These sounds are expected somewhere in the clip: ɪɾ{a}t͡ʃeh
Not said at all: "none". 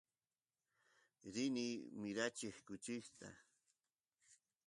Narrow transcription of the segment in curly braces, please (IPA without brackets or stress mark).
a